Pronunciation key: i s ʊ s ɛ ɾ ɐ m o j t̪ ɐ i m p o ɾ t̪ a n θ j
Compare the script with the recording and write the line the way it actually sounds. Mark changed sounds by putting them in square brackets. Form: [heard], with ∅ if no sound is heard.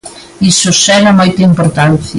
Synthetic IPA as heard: i s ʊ s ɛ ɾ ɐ m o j t̪ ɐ i m p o ɾ t̪ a n θ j